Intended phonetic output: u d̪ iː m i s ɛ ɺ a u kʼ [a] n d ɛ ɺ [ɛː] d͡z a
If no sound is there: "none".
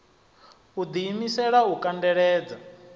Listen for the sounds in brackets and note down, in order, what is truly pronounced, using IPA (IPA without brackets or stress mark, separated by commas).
a, ɛː